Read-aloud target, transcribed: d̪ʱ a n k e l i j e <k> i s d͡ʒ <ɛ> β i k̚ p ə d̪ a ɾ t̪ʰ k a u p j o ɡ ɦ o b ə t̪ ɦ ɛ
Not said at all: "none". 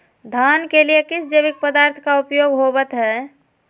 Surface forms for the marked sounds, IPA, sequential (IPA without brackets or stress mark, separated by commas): k, e